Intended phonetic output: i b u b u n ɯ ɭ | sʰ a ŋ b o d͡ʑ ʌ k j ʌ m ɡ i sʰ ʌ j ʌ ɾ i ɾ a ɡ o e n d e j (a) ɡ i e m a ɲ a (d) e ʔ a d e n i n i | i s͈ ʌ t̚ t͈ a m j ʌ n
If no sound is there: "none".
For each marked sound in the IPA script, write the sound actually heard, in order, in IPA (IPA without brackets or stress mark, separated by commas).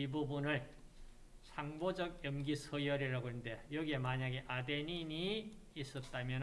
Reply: ʌ, ɡ